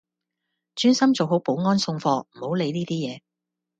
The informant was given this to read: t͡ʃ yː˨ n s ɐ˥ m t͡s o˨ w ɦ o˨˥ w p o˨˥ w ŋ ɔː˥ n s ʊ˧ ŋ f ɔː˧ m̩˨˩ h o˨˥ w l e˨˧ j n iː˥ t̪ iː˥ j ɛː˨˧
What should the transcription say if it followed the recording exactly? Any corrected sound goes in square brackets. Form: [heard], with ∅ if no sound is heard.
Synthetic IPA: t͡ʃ [yː˥] n s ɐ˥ m t͡s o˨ w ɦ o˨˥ w p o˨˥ w ŋ ɔː˥ n s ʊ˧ ŋ f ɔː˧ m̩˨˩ h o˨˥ w l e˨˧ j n iː˥ t̪ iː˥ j ɛː˨˧

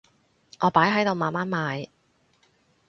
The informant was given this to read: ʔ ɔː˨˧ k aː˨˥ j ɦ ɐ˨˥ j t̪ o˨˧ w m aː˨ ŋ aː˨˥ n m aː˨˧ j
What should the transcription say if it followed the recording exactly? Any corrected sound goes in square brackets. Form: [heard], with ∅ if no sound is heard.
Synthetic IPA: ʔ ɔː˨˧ [p] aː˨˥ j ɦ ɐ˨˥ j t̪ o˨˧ w m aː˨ [m] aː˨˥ n m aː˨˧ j

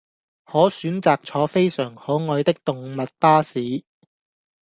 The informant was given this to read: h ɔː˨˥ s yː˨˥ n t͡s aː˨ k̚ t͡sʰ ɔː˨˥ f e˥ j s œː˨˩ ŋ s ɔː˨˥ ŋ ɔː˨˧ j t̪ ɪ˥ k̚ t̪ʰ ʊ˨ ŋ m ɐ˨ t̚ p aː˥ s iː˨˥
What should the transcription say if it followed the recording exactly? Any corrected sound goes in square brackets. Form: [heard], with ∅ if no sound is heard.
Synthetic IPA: h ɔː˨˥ s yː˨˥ n t͡s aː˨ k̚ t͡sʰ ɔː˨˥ f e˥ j s œː˨˩ ŋ [h] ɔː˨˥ ŋ ɔː˨˧ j t̪ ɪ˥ k̚ [t̪] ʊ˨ ŋ m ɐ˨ t̚ p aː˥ s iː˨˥

